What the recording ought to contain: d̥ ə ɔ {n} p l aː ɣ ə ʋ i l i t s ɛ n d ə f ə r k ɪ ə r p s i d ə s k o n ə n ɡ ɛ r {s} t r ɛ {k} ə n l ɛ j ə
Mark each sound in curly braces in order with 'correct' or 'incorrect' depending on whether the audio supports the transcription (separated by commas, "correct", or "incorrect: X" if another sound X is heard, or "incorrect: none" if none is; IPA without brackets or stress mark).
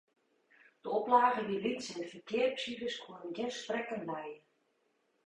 incorrect: none, correct, correct